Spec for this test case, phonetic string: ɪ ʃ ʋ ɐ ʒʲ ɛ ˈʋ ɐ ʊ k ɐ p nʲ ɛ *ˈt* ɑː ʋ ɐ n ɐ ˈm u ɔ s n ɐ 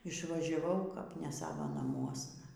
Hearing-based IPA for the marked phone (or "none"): s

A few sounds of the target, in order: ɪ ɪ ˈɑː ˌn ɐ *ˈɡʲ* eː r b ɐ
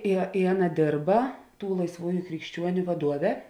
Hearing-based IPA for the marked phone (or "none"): dʲ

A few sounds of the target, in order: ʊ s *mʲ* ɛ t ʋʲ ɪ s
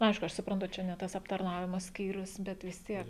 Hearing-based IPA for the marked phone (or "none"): bʲ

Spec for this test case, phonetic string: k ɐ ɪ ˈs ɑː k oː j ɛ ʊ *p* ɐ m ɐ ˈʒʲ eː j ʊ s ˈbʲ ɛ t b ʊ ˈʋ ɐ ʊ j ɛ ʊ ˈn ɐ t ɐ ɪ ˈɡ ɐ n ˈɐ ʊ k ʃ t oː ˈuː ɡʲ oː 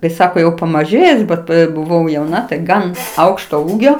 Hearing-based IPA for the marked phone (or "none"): p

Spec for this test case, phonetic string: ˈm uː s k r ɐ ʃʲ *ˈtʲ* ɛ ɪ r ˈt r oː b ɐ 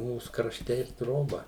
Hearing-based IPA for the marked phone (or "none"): tʲ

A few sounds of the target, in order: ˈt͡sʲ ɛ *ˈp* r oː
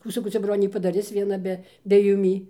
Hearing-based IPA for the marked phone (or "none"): b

